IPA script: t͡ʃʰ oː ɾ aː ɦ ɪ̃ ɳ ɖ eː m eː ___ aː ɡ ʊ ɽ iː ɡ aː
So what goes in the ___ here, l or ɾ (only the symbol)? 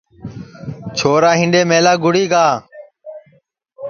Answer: l